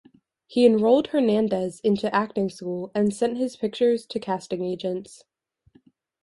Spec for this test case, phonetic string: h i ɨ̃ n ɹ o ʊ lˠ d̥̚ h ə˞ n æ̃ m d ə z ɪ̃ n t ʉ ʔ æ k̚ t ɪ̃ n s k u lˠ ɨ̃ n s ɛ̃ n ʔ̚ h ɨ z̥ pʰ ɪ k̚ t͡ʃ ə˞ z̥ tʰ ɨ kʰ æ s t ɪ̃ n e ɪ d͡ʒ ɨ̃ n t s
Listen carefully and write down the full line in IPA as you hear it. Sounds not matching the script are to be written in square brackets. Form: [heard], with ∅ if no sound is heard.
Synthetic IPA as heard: h i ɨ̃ n ɹ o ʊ lˠ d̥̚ h ə˞ n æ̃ [n] d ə z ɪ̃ n t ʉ ʔ æ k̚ t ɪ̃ [ŋ] s k u lˠ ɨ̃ n s ɛ̃ n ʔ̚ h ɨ z̥ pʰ ɪ k̚ t͡ʃ ə˞ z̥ tʰ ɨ kʰ æ s t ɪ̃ [ŋ] e ɪ d͡ʒ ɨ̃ n t s